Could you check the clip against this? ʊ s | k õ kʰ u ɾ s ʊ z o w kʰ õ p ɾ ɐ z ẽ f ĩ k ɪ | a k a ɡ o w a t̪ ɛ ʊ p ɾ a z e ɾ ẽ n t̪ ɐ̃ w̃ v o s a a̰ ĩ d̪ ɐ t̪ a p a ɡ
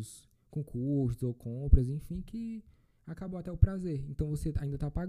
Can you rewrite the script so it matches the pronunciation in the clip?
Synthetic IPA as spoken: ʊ s | k õ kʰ u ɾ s ʊ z o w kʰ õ p ɾ ɐ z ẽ f ĩ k ɪ | a k a b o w a t̪ ɛ ʊ p ɾ a z e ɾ ẽ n t̪ ɐ̃ w̃ v o s e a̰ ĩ d̪ ɐ t̪ a p a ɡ